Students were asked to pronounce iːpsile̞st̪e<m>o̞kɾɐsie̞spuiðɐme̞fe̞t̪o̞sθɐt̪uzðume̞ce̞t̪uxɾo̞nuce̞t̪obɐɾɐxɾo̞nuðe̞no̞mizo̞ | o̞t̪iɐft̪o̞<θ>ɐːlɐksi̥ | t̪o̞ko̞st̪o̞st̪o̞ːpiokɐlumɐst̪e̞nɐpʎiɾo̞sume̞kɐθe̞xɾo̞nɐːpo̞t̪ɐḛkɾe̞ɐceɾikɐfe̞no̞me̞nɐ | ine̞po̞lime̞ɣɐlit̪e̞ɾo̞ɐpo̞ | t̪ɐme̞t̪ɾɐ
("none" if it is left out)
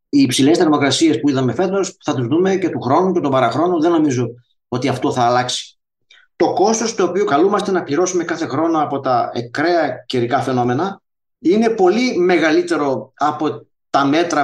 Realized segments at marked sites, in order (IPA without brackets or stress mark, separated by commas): m, θ